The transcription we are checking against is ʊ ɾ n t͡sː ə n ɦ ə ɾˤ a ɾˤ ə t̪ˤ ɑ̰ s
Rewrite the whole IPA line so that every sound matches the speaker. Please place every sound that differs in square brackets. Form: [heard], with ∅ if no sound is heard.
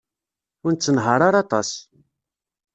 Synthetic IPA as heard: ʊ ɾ n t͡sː ə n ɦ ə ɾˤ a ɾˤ [ɑ] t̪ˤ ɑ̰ s